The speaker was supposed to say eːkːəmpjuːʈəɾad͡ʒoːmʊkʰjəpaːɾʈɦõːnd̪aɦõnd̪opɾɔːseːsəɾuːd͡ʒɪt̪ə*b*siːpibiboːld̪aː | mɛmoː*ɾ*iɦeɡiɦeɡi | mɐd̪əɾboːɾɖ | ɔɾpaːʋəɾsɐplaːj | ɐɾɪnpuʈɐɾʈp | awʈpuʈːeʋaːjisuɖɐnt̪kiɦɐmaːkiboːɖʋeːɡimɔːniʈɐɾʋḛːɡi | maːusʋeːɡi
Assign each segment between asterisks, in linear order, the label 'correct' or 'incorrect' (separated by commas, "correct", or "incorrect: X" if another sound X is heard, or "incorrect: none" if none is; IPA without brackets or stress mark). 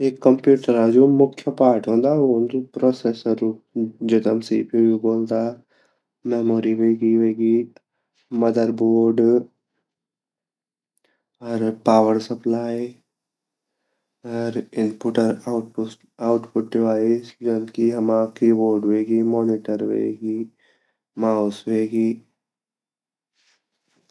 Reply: incorrect: m, correct